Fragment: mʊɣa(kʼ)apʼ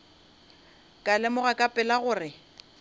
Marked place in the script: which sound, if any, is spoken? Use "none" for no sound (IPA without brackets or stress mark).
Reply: kʼ